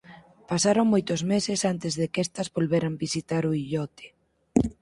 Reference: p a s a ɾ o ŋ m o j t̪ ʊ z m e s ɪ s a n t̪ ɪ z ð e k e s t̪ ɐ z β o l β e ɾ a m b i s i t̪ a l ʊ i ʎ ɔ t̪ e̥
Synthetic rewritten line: p a s a ɾ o ŋ m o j t̪ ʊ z m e s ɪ s a n t̪ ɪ z ð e k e s t̪ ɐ z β o l β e ɾ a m b i s i t̪ a ɾ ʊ i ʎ ɔ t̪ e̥